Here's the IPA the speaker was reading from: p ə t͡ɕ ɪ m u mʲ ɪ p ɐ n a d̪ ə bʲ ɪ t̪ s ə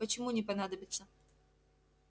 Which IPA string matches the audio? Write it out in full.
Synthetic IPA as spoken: p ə t͡ɕ ɪ m u nʲ ɪ p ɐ n a d̪ ə bʲ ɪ t̪ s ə

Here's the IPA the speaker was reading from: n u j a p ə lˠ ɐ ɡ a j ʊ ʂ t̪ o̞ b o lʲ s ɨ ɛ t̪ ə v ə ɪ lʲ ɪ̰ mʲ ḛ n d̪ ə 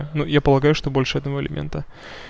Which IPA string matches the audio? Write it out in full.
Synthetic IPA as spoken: n u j a p ə lˠ ɐ ɡ a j ʊ ʂ t̪ o̞ b o lʲ ʂ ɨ ɛ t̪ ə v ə ɪ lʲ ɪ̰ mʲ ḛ n t̪ ə

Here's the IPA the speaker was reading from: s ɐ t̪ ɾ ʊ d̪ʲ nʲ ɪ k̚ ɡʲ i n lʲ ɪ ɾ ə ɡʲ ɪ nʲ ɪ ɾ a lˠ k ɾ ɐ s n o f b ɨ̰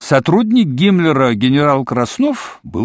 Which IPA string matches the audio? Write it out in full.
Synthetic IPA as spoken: s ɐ t̪ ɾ u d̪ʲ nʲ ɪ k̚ ɡʲ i m lʲ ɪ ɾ ə ɡʲ ɪ nʲ ɪ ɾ a lˠ k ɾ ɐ s n o f b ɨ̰

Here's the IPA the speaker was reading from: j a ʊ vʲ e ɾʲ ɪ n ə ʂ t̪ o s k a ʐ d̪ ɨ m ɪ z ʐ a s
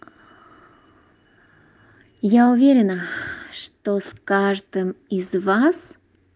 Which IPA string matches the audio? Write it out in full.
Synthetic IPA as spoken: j a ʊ vʲ e ɾʲ ɪ n ə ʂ t̪ o s k a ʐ d̪ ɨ m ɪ z v a s

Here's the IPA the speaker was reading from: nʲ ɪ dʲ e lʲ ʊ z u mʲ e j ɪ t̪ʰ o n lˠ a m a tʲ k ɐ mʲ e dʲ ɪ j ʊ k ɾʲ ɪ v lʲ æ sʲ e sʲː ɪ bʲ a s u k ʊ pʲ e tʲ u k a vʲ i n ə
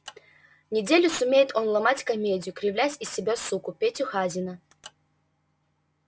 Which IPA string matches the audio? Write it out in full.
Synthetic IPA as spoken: nʲ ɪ dʲ e lʲ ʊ s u mʲ e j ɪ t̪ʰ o n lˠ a m a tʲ k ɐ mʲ e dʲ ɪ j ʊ k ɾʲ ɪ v lʲ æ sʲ i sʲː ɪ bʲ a s u k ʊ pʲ e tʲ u x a zʲ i n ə

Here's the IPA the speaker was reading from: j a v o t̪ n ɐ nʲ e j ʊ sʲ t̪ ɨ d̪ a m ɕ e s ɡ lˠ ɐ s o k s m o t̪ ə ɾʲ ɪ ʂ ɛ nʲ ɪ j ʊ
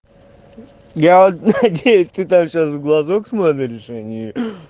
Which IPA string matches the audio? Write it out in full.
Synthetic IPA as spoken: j a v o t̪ n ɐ dʲ e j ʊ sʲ t̪ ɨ t̪ a m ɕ a s ɡ lˠ ɐ z o k s m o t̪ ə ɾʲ ɪ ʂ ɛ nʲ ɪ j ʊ

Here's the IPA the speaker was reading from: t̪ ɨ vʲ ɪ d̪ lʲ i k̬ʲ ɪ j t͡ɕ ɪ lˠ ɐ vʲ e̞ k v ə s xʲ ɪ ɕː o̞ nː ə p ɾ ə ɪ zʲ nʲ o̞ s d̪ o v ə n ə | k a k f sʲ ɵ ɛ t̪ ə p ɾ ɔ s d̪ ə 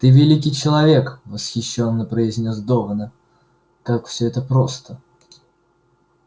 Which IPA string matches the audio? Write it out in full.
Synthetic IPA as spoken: t̪ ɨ vʲ ɪ lʲ i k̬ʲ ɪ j t͡ɕ ɪ lˠ ɐ vʲ e̞ k v ə s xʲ ɪ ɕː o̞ nː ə p ɾ ə ɪ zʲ nʲ o̞ s d̪ o v ə n ə | k a k f sʲ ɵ ɛ t̪ ə p ɾ o s t̪ ə

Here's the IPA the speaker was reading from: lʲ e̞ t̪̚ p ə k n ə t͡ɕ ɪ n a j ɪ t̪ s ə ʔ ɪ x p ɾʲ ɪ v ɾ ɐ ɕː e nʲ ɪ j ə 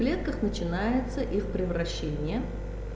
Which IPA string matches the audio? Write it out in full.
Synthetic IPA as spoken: lʲ e̞ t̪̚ k ə x n ə t͡ɕ ɪ n a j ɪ t̪ s ə ʔ i x p ɾʲ ɪ v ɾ ɐ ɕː e nʲ ɪ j ə

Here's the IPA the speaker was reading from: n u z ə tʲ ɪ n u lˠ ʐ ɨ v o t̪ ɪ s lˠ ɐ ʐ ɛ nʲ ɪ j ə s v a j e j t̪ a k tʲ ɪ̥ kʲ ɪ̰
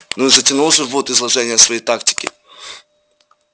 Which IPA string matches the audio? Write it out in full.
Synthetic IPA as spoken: n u z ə tʲ ɪ n u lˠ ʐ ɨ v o t̪ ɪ z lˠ ɐ ʐ ɛ nʲ ɪ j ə s v ɐ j e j t̪ a k tʲ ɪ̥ kʲ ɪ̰

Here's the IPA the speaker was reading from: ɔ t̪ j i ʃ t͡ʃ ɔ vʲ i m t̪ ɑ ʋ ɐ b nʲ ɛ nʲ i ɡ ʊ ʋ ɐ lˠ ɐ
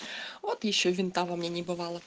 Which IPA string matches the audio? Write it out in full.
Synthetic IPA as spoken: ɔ t̪ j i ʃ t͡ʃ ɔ ʋʲ i n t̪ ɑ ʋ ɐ m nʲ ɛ nʲ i b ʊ ʋ ɑ lˠ ɐ

